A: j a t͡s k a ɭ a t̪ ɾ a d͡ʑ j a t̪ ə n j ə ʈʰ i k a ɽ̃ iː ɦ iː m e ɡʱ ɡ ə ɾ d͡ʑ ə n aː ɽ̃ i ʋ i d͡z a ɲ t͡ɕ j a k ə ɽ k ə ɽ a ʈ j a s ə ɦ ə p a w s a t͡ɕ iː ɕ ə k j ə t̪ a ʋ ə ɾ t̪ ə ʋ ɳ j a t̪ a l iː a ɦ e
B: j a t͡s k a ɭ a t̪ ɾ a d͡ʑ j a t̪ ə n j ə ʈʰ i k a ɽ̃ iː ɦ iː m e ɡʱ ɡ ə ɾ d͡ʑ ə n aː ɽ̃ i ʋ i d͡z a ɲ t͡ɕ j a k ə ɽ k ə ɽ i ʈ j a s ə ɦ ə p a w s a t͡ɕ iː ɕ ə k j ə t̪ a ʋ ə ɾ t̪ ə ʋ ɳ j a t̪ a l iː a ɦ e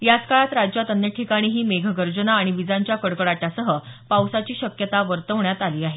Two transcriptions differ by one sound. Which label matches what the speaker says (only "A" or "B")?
A